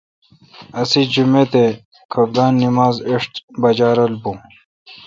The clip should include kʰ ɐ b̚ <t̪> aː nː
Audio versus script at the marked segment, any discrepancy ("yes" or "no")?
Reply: yes